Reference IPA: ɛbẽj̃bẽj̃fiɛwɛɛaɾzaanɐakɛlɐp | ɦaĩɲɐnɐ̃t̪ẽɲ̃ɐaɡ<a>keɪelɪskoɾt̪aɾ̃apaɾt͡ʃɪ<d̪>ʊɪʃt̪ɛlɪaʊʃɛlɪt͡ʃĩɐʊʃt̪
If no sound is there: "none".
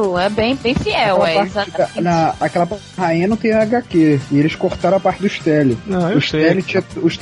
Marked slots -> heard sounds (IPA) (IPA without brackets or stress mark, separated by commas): a, d̪